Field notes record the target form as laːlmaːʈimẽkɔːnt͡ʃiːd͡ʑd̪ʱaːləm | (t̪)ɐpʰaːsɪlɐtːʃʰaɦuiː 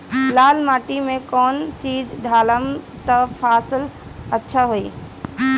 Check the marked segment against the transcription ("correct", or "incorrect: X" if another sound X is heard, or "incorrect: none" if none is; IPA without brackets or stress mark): correct